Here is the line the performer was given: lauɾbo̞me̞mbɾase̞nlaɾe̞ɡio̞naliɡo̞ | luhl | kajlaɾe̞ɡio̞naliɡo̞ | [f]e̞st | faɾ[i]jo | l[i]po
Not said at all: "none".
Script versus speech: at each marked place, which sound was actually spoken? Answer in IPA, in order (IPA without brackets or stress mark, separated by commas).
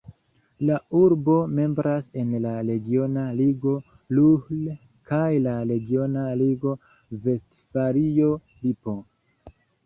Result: v, i, i